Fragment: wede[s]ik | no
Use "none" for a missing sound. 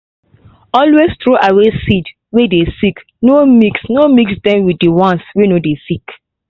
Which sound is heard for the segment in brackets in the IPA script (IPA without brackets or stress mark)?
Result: s